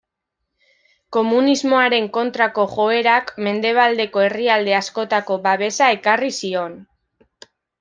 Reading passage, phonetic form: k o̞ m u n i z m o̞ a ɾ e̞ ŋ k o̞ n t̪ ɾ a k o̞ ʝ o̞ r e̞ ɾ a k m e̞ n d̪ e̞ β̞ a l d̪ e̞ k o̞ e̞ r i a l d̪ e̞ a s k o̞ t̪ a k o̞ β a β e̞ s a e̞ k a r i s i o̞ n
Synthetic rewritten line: k o̞ m u n i z m o̞ a ɾ e̞ ŋ k o̞ n t̪ ɾ a k o̞ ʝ o̞ e̞ ɾ a k m e̞ n d̪ e̞ β̞ a l d̪ e̞ k o̞ e̞ r i a l d̪ e̞ a s k o̞ t̪ a k o̞ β a β e̞ s a e̞ k a r i s i o̞ n